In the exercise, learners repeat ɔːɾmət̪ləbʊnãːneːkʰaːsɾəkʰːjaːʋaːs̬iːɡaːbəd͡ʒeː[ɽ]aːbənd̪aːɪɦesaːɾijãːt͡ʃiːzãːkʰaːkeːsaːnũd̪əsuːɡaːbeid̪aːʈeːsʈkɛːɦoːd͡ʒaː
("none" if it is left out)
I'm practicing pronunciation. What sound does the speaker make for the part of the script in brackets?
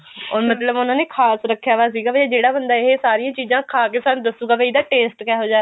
ɽ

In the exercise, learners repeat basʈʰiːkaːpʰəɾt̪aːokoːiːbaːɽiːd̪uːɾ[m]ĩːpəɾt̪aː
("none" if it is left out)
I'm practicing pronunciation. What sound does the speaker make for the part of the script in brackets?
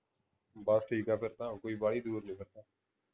n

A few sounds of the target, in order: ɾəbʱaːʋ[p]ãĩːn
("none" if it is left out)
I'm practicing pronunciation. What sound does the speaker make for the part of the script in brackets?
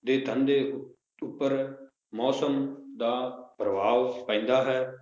p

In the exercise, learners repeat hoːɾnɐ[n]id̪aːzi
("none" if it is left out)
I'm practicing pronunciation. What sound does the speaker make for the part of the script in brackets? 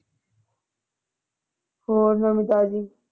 m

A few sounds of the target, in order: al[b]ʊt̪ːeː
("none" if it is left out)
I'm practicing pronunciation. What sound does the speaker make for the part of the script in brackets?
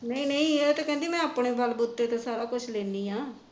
b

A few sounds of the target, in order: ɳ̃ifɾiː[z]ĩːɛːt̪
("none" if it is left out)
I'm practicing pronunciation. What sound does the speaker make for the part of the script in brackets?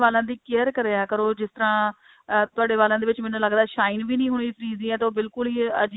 z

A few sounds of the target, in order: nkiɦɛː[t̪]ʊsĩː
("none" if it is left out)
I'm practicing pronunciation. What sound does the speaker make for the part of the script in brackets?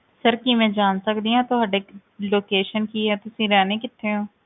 t̪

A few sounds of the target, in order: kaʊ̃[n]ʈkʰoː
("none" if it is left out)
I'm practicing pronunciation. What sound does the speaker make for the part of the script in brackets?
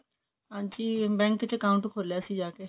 ɳ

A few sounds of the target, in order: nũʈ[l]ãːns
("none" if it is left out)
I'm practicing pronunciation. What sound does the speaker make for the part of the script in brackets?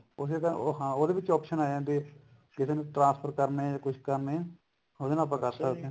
ɾ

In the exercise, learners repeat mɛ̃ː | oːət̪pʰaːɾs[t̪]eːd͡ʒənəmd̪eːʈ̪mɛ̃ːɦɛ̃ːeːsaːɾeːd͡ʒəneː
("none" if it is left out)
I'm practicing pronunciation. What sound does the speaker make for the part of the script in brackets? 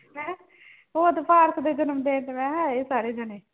d̪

